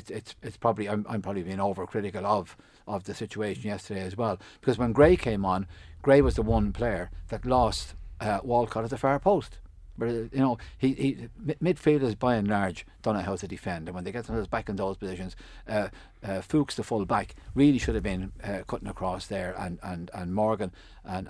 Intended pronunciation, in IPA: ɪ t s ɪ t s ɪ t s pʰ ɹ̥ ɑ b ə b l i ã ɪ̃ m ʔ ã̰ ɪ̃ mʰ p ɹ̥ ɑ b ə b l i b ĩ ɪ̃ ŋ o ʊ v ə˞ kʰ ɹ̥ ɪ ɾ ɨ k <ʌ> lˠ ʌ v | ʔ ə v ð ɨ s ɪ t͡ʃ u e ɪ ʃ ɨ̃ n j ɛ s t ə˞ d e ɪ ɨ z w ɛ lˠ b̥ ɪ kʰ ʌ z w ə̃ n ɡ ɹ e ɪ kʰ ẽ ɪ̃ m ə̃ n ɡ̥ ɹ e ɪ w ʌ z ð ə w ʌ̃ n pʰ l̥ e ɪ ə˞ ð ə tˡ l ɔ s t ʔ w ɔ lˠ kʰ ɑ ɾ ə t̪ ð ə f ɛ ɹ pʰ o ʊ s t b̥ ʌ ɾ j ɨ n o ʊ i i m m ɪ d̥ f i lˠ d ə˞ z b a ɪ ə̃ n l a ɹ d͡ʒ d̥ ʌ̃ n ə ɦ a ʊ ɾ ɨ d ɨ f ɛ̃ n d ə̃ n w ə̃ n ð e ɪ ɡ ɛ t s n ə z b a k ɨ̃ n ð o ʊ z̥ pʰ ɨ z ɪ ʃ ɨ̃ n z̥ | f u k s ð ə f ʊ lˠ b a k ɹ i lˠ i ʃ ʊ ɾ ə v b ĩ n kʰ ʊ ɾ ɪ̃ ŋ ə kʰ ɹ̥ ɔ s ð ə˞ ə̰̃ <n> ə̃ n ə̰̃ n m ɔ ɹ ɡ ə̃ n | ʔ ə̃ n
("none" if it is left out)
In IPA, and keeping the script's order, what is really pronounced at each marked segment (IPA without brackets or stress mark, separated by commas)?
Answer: ə, n